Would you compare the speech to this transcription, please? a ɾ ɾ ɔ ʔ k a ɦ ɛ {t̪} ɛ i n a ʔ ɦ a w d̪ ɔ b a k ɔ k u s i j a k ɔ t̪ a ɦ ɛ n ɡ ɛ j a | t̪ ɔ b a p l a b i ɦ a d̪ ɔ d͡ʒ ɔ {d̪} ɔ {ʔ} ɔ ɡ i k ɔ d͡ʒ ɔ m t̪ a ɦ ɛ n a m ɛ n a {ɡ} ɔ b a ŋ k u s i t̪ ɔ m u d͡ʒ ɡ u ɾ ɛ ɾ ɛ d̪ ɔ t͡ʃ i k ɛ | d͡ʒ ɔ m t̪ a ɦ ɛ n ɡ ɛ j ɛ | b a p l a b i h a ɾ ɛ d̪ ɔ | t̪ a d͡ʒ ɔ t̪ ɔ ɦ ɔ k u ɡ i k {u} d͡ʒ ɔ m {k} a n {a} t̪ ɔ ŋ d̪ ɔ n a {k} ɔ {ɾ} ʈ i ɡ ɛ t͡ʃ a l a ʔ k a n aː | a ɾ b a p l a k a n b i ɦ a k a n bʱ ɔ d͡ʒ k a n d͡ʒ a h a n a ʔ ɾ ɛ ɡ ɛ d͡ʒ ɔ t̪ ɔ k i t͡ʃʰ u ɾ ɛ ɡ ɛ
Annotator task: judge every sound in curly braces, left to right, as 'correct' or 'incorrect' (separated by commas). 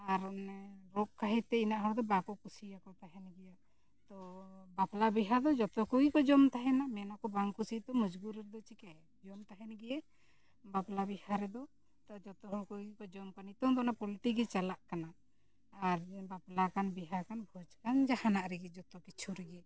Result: correct, incorrect, incorrect, incorrect, incorrect, correct, incorrect, incorrect, incorrect